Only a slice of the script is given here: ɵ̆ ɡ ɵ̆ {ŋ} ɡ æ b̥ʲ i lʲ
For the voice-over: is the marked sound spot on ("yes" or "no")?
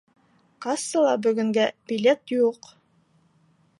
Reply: yes